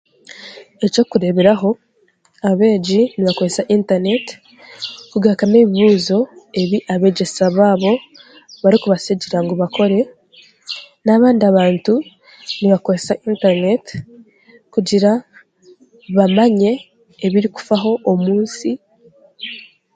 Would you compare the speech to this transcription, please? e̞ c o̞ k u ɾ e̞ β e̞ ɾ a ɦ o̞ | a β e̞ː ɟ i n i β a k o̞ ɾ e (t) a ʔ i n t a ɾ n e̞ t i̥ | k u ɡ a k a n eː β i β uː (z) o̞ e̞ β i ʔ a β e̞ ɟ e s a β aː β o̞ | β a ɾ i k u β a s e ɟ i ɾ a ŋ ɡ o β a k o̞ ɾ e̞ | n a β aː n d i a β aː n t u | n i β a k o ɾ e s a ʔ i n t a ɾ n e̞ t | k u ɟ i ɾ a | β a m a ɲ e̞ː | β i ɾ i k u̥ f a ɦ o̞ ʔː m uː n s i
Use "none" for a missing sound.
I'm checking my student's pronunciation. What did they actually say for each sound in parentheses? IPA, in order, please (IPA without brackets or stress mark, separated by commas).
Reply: s, z